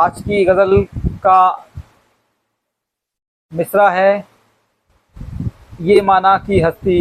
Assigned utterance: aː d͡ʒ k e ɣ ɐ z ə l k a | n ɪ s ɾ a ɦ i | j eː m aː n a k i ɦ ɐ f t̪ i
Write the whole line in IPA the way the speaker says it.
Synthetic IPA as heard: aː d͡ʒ k i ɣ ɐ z ə l k a | m ɪ s ɾ a ɦ ɛ | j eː m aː n a k i ɦ ɐ s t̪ i